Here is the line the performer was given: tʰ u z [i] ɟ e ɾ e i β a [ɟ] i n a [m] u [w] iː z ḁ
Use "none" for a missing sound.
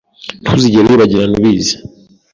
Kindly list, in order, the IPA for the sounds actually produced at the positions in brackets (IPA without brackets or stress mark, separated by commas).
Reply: i, ɟ, n, β